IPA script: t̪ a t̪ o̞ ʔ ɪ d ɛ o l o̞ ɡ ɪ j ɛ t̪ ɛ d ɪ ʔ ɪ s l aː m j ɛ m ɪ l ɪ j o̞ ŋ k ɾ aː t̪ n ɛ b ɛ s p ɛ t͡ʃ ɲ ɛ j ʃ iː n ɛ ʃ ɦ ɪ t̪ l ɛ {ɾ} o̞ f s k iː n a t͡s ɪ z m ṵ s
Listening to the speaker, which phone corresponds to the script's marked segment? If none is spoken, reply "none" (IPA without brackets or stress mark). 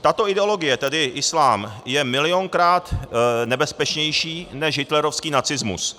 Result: ɾ